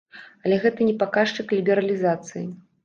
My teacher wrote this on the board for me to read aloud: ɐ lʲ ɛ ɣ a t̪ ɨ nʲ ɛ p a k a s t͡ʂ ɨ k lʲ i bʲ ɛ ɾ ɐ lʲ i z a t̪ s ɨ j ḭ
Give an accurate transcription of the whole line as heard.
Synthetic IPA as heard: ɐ lʲ ɛ ɣ ɛ t̪ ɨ nʲ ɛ p a k a ʂ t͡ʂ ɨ k lʲ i bʲ ɛ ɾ ɐ lʲ i z a t̪ s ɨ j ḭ

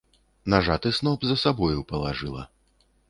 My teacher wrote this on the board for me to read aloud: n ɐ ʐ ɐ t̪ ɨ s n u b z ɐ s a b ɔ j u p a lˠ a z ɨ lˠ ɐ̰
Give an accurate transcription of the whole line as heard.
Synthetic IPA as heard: n a ʐ a t̪ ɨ s n ɔ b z ɐ s a b ɔ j u p ɐ lˠ a ʐ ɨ lˠ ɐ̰

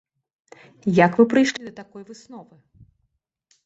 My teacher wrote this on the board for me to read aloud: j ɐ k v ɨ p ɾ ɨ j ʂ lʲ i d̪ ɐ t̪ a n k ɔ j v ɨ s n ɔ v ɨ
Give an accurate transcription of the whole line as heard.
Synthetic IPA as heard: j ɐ k v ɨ p ɾ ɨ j ʂ lʲ i d̪ ɐ t̪ a k ɔ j v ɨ s n ɔ v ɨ

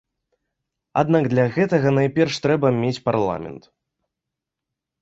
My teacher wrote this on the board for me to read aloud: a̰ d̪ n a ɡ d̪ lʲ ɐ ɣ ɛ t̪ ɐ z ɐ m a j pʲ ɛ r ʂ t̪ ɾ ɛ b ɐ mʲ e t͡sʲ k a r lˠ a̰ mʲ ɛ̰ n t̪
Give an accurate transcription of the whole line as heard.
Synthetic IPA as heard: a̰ d̪ n a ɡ d̪ lʲ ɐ ɣ ɛ t̪ ɐ ɣ ɐ n a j pʲ ɛ r ʂ t̪ ɾ ɛ b ɐ mʲ e t͡sʲ p a r lˠ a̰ mʲ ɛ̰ n t̪

